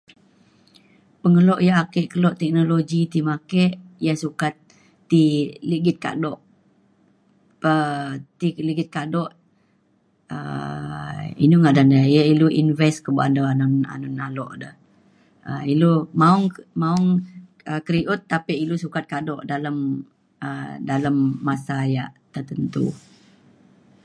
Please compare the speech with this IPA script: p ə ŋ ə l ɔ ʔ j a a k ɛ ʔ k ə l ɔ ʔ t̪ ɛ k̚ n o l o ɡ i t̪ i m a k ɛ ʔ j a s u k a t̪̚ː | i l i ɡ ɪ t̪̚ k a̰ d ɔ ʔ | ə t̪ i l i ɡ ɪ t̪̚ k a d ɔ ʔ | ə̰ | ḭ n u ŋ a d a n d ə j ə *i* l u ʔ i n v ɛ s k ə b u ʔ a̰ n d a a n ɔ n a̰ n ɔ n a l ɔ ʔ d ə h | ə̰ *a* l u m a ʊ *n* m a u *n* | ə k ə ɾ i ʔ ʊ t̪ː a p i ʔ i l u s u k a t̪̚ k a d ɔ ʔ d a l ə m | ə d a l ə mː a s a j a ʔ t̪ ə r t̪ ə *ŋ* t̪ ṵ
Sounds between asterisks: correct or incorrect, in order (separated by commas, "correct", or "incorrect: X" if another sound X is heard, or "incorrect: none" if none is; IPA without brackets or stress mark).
correct, incorrect: i, incorrect: ŋ, incorrect: ŋ, incorrect: n